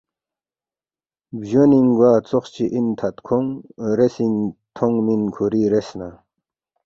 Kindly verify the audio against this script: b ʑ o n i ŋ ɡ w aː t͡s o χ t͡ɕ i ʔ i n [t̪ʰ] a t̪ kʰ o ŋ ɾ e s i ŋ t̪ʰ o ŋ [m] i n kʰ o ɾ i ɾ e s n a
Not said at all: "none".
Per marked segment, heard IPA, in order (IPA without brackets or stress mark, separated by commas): t̪ʰ, m